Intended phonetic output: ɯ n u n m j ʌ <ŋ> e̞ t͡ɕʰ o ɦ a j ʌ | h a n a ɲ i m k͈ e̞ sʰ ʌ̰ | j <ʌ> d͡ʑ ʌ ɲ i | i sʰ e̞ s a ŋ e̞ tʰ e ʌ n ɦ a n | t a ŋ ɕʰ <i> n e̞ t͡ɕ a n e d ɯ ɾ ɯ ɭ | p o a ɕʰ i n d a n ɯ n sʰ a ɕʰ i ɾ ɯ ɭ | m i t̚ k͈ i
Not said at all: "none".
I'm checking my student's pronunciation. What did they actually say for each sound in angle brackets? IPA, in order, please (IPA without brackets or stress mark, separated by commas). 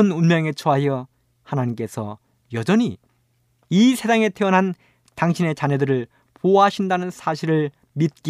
ŋ, ʌ, i